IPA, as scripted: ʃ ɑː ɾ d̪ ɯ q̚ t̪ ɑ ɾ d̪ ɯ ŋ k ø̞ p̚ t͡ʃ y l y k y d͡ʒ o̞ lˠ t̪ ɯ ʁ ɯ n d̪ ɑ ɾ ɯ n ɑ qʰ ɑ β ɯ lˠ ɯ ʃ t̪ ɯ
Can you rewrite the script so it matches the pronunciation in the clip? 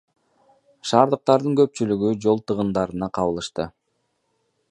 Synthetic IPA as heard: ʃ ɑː ɾ d̪ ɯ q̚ t̪ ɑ ɾ d̪ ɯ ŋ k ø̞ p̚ t͡ʃ y l y ɡ y d͡ʒ o̞ lˠ t̪ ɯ ʁ ɯ n d̪ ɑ ɾ ɯ n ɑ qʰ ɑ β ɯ lˠ ɯ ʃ t̪ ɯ